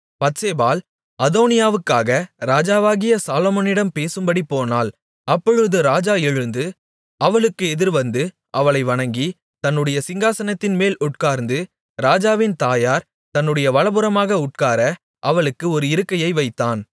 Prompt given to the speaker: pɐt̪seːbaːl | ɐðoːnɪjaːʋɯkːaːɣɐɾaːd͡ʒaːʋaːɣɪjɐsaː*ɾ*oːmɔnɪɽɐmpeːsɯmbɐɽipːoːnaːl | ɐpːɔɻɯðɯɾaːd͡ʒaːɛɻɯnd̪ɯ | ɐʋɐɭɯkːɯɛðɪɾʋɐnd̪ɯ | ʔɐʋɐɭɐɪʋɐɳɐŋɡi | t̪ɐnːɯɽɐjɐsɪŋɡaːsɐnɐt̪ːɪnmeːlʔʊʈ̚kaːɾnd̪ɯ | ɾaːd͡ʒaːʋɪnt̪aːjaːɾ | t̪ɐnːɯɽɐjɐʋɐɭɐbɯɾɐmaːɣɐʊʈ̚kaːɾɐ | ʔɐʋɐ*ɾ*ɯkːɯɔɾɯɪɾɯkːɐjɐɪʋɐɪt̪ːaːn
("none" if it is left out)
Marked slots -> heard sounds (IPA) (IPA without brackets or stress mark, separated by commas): l, ɭ